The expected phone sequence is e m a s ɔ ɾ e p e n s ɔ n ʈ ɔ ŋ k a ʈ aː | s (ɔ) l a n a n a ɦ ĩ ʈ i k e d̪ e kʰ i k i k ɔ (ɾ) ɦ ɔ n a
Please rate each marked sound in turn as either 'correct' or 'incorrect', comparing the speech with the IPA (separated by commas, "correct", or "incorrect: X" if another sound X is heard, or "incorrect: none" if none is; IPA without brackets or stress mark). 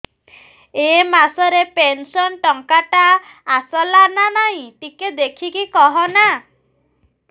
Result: correct, incorrect: none